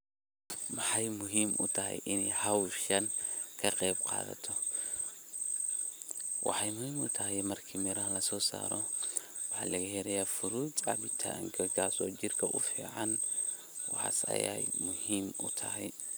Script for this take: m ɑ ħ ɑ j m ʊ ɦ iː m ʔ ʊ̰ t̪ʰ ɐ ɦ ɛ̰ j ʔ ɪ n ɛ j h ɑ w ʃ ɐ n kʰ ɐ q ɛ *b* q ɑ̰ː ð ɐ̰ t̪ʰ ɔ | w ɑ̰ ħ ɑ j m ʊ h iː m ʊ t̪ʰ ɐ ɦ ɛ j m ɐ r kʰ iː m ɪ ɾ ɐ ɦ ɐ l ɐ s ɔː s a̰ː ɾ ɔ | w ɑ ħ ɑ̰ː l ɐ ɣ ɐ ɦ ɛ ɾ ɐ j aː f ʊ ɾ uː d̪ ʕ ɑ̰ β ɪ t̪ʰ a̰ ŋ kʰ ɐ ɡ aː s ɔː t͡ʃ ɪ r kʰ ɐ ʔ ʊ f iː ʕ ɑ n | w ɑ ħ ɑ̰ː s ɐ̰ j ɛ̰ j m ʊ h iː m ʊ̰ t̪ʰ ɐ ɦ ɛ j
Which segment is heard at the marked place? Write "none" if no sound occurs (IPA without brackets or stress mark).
b